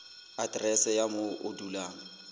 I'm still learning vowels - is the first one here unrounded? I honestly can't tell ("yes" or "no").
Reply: yes